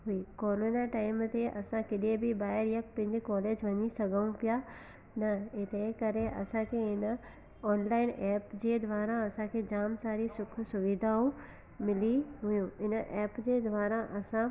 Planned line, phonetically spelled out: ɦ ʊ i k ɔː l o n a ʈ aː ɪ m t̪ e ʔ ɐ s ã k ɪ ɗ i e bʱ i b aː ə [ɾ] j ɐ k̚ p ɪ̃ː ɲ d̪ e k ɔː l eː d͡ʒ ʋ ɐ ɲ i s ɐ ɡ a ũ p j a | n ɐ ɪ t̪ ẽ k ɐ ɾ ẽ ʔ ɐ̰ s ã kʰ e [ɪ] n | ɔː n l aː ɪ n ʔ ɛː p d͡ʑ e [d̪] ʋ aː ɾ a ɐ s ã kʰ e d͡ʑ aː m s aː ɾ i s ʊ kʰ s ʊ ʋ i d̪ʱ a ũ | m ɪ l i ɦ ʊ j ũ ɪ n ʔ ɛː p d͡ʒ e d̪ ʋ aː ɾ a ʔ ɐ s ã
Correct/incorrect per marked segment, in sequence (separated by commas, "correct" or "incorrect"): correct, correct, correct